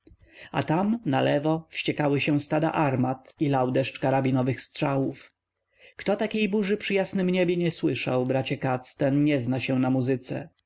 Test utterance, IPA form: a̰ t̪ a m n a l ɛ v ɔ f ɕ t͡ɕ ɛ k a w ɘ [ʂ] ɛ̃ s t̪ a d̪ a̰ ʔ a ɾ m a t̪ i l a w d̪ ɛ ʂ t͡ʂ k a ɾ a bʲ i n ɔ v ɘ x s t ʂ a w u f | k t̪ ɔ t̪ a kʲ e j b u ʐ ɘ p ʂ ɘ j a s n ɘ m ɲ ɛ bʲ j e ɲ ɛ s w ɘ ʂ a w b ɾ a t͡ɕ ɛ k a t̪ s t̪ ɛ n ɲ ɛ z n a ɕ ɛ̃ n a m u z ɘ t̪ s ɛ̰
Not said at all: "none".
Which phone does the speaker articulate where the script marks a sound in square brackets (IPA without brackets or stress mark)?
ɕ